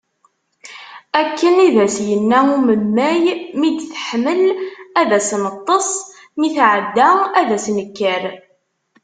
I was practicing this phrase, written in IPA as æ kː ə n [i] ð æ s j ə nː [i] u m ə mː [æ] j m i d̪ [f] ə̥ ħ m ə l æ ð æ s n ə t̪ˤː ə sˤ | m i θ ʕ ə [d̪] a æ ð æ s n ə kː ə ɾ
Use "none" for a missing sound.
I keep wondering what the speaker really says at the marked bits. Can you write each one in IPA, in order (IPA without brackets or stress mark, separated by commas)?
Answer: i, æ, æ, θ, d̪ː